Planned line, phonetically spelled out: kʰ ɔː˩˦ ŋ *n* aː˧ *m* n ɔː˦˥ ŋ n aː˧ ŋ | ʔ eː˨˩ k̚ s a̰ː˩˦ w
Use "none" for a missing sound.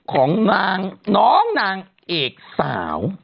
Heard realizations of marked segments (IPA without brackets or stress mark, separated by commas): n, ŋ